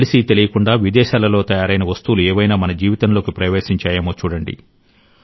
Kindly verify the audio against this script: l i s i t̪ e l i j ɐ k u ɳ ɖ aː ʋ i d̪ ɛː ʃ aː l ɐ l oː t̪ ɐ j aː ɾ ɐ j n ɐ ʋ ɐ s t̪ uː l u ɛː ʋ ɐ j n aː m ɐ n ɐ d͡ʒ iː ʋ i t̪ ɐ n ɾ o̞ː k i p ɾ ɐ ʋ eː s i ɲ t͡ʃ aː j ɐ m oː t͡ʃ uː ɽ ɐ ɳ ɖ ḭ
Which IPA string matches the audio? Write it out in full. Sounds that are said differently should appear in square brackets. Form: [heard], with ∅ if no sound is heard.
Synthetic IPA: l i s i t̪ e l i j ɐ k u ɳ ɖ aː ʋ i d̪ ɛː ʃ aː l ɐ l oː t̪ ɐ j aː ɾ ɐ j n ɐ ʋ ɐ s t̪ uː l u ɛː ʋ ɐ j n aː m ɐ n ɐ d͡ʒ iː ʋ i t̪ ɐ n [l] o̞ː k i p ɾ ɐ ʋ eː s i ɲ t͡ʃ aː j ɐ m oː t͡ʃ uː ɽ ɐ ɳ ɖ ḭ

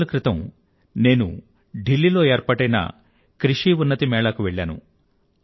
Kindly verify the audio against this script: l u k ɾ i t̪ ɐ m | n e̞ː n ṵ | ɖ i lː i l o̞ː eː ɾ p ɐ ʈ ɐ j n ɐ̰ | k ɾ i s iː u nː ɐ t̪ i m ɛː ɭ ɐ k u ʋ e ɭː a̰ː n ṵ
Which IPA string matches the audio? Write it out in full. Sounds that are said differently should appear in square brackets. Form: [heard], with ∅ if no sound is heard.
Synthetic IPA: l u k ɾ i t̪ ɐ m | n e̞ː n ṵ | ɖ i lː i l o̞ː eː ɾ p ɐ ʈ ɐ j n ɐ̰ | k ɾ i [ʂ] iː u nː ɐ t̪ i m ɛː ɭ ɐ k u ʋ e ɭː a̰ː n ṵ

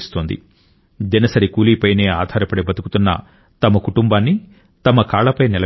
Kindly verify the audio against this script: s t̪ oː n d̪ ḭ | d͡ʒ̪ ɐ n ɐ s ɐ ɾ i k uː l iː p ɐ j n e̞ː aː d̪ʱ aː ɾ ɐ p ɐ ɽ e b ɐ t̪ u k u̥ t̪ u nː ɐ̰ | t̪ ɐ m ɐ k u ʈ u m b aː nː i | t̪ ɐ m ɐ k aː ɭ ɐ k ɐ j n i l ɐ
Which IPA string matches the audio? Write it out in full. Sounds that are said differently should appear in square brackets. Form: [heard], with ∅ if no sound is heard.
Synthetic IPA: s t̪ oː n d̪ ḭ | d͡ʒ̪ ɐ n ɐ s ɐ ɾ i k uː l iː p ɐ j n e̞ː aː d̪ʱ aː ɾ ɐ p ɐ ɽ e b ɐ t̪ u k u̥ t̪ u nː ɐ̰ | t̪ ɐ m ɐ k u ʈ u m b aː nː i | t̪ ɐ m ɐ k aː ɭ ɐ [p] ɐ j n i l ɐ

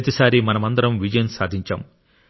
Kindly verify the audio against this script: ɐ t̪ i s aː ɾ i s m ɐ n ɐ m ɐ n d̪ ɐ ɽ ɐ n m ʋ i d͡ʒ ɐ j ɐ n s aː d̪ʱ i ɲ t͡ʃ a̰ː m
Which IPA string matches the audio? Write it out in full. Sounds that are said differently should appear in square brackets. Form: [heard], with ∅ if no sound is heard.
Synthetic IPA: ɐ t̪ i s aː ɾ i [∅] m ɐ n ɐ m ɐ n d̪ ɐ [ɾ] ɐ [∅] m ʋ i d͡ʒ ɐ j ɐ n s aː d̪ʱ i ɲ t͡ʃ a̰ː m

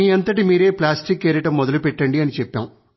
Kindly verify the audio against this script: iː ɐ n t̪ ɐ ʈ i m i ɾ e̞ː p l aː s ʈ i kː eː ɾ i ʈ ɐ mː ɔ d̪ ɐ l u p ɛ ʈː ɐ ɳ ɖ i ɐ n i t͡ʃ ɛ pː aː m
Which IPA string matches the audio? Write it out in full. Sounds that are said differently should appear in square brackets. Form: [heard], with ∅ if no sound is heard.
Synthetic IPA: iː ɐ n t̪ ɐ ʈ i m [iː] ɾ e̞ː p l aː s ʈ i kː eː ɾ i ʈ ɐ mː ɔ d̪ ɐ l u p ɛ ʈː ɐ ɳ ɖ i ɐ n i t͡ʃ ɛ pː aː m

